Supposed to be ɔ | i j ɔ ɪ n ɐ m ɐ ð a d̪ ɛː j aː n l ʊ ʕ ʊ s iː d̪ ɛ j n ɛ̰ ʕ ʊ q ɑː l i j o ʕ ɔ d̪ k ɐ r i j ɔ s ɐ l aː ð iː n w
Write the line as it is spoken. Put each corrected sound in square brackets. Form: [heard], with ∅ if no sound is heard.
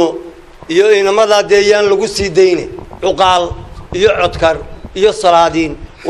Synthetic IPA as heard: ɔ | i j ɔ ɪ n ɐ m ɐ ð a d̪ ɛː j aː n l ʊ [ɣ] ʊ s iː d̪ ɛ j n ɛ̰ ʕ ʊ q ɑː l i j [ɔ] ʕ ɔ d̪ [kʰ] ɐ r i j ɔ s ɐ l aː ð iː n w